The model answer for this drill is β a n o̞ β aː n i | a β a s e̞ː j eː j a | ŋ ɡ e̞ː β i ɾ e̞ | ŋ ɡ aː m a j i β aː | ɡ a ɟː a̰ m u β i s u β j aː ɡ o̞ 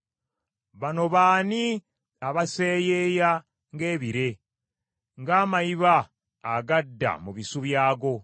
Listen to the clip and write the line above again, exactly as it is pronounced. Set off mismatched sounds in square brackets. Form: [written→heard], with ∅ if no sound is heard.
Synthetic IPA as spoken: β a n o̞ β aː n i | a β a s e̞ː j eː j a | ŋ ɡ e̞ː β i ɾ e̞ | ŋ ɡ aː m a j i β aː | ɡ a [ɟː→dː] a̰ m u β i s u β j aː ɡ o̞